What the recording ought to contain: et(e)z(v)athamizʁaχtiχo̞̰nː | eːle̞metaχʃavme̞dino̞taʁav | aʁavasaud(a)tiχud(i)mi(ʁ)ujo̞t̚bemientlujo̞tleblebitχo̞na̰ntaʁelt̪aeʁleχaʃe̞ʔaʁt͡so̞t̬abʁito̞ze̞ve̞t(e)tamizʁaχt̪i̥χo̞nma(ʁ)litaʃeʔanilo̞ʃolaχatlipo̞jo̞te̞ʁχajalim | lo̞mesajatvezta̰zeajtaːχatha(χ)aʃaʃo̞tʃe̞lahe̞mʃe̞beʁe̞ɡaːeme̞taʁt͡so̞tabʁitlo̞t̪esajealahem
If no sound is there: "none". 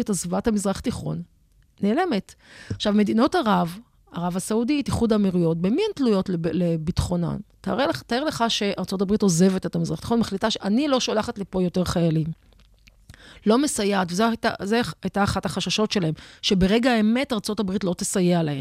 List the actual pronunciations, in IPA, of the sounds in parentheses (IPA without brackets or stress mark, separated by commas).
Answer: a, v, i, a, ʁ, e, χ, χ